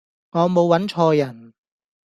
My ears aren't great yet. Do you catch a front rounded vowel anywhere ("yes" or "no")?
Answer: no